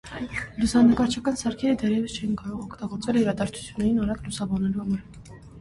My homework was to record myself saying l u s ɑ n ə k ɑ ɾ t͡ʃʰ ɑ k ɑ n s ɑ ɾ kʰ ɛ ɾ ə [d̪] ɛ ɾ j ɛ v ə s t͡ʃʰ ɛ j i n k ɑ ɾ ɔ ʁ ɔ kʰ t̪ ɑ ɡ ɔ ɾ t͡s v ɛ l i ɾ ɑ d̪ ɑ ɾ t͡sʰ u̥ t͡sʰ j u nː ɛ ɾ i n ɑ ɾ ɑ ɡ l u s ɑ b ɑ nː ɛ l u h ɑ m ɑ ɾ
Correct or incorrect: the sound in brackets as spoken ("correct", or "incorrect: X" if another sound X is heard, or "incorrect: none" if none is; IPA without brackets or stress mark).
correct